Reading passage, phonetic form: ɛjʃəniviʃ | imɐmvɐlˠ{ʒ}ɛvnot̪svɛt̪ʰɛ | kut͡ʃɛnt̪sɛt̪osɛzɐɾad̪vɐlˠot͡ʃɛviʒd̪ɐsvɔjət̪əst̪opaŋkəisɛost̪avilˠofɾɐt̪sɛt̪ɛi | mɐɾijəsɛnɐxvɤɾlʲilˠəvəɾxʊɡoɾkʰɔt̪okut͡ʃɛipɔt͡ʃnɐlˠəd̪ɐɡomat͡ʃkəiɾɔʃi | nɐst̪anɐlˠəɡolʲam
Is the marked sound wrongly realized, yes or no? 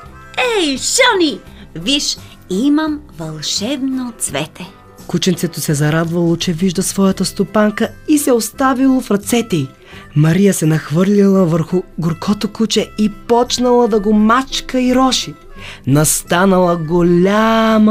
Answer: yes